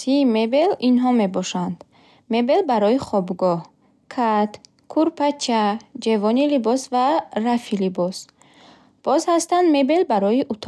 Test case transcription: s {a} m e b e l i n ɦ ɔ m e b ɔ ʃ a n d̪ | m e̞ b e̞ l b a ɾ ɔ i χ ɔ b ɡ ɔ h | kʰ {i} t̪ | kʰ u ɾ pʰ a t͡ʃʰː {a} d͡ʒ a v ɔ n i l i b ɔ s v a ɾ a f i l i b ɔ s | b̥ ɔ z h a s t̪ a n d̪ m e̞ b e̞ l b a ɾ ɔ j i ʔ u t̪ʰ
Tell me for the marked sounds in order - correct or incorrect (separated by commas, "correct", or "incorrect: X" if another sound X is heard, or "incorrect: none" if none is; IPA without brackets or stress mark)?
incorrect: i, incorrect: a, correct